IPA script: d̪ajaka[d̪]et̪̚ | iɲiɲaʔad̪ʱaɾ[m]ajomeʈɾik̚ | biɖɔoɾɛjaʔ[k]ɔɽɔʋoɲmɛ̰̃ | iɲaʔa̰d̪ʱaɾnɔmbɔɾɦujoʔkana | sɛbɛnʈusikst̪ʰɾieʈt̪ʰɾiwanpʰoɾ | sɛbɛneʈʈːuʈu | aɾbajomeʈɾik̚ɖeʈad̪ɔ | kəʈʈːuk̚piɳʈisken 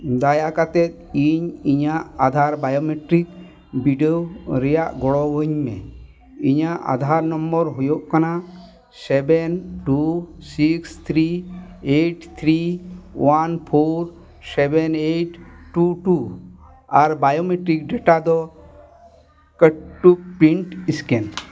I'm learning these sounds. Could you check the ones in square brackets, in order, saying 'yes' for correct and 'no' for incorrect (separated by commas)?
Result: no, no, no